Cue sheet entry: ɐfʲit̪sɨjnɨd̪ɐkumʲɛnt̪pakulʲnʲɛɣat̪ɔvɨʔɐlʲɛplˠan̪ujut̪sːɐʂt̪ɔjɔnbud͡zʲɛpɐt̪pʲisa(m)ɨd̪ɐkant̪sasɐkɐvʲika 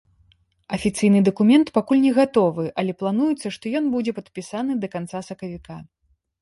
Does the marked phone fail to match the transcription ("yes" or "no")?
yes